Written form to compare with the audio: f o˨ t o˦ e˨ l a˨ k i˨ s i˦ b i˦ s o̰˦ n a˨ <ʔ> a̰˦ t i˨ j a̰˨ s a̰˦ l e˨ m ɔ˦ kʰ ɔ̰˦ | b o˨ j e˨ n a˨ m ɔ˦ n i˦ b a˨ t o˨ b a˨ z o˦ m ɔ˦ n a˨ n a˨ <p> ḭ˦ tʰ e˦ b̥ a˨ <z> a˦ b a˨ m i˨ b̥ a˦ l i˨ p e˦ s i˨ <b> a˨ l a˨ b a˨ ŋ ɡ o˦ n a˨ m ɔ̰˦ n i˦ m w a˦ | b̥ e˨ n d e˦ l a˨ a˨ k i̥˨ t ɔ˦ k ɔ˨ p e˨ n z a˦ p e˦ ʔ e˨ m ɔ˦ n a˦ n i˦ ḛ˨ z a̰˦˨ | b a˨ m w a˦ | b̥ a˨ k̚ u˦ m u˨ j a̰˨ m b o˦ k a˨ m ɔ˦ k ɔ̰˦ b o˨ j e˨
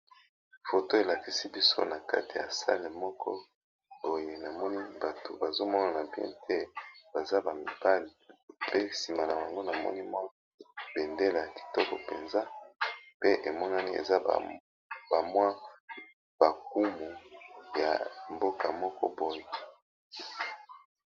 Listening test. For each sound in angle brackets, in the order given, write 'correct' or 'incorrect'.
incorrect: k, incorrect: b, correct, incorrect: m

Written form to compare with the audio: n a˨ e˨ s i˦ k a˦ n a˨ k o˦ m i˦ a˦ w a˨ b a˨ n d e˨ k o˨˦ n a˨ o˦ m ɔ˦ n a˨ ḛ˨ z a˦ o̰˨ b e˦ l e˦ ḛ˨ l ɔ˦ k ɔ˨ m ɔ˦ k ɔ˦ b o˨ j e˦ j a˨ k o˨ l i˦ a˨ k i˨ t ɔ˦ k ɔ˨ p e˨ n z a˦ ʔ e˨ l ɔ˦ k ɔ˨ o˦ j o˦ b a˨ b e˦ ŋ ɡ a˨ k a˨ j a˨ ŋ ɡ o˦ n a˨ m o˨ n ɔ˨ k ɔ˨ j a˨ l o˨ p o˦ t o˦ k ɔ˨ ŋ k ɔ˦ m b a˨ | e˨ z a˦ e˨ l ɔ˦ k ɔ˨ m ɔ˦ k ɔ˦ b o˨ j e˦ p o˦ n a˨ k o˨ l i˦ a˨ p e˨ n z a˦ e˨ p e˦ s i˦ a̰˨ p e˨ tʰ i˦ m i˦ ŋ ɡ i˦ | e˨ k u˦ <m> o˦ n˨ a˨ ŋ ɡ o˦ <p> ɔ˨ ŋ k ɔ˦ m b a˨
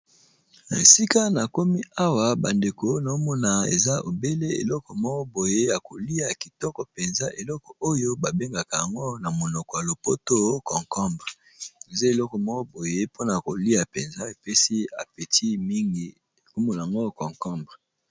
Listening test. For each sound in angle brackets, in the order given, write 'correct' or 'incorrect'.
correct, incorrect: k

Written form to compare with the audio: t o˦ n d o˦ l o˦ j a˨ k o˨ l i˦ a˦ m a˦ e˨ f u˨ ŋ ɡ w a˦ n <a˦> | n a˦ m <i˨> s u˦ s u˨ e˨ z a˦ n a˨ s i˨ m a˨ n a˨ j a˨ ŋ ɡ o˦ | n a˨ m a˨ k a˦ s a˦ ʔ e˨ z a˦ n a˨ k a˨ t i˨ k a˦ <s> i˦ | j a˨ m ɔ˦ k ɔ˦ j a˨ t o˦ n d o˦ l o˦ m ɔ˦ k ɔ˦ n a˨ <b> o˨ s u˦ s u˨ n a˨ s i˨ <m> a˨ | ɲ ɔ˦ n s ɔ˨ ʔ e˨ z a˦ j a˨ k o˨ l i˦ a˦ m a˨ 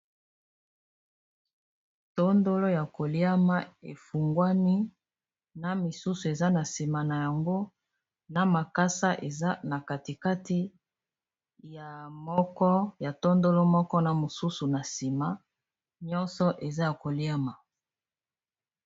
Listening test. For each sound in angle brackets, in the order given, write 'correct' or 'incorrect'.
incorrect: i˦, correct, incorrect: t, incorrect: m, correct

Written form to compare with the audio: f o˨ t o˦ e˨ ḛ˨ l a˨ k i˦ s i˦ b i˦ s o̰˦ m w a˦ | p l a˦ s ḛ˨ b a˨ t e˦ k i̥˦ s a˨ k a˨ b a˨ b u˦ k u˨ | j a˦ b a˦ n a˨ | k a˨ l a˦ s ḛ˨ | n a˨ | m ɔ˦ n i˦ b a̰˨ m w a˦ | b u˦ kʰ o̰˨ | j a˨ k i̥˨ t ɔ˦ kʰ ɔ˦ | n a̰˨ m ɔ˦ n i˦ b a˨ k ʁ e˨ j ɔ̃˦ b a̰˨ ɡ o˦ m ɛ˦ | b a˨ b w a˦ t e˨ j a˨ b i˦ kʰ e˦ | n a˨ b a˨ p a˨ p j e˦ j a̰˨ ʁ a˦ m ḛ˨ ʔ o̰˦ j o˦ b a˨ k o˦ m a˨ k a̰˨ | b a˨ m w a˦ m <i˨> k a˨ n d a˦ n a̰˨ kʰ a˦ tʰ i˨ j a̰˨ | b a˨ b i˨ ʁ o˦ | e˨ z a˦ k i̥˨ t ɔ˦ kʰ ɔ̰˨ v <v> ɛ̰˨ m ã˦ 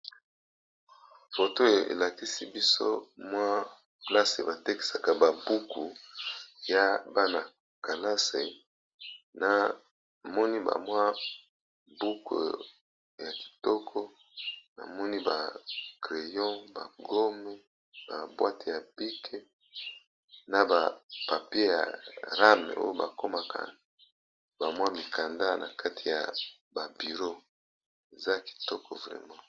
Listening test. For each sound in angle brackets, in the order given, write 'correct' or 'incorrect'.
correct, incorrect: ʁ

